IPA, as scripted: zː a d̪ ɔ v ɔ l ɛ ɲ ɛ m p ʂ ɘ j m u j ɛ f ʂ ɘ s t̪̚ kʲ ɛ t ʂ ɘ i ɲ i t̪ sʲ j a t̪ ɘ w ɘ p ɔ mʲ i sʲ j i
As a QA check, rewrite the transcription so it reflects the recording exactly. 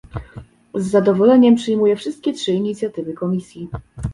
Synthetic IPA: zː a d̪ ɔ v ɔ l ɛ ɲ ɛ m p ʂ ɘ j m u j ɛ f ʂ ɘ s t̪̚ kʲ ɛ t ʂ ɘ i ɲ i t̪ sʲ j a t̪ ɘ v ɘ k ɔ mʲ i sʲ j i